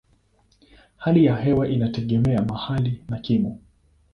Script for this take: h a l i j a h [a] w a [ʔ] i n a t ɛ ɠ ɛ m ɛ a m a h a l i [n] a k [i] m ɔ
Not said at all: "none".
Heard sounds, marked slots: ɛ, ʔ, n, i

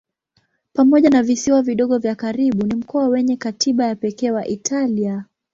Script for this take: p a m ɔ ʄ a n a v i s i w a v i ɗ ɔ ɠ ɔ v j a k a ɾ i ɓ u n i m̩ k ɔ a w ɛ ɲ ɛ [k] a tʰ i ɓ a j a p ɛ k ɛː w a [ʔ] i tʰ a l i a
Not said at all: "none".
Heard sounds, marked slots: k, ʔ

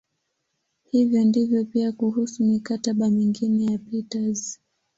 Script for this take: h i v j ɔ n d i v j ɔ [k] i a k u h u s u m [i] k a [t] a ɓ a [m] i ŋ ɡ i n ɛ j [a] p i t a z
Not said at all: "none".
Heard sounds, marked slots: p, i, t, m, a

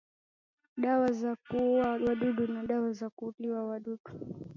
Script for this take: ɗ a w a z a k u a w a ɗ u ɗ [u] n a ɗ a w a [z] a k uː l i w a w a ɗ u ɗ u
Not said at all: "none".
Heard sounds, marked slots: u, z

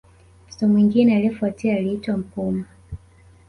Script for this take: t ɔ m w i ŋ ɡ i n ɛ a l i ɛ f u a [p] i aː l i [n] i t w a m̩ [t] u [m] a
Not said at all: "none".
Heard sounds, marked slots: t, none, p, m

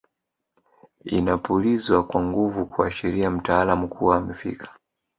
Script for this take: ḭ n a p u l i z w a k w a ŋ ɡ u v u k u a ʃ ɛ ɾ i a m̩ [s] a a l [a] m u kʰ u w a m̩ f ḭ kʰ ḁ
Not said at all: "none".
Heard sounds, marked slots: t, a

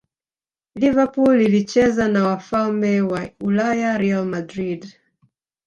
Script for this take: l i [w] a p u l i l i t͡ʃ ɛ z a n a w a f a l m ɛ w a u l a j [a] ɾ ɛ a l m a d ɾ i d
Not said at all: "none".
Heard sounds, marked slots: v, a

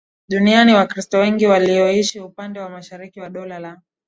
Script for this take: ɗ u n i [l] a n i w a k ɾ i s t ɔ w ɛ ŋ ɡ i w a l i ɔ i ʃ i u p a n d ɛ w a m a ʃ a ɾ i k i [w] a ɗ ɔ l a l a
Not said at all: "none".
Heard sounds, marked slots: none, w

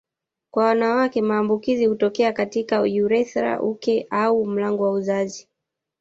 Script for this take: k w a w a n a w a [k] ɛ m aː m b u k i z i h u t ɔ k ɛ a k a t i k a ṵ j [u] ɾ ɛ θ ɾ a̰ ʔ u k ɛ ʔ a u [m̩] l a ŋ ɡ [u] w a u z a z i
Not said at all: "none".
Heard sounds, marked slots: k, u, m̩, ɔ

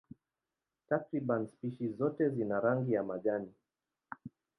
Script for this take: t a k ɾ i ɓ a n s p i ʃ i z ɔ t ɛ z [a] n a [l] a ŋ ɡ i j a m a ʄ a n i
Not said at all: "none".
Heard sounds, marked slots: i, ɾ

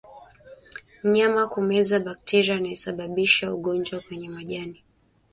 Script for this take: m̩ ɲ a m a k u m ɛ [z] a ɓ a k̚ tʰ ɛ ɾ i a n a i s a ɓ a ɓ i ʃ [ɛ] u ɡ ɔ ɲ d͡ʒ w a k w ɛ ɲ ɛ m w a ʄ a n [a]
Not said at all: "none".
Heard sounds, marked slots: z, a, i

